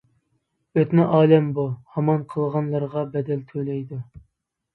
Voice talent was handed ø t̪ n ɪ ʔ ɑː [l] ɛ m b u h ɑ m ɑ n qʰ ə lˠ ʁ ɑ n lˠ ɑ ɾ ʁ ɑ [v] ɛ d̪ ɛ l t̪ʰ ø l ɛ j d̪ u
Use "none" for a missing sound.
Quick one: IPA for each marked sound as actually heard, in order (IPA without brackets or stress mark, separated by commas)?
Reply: l, b